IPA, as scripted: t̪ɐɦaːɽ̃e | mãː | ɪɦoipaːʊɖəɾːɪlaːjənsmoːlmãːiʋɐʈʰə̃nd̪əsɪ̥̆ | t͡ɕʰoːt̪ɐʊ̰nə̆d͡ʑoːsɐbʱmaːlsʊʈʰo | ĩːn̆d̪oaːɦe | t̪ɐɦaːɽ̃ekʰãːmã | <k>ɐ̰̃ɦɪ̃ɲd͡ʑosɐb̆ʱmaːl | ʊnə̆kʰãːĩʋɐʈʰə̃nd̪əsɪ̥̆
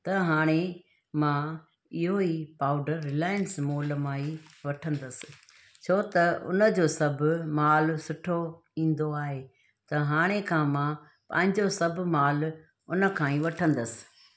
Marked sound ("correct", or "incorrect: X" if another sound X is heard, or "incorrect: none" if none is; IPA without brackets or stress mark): incorrect: p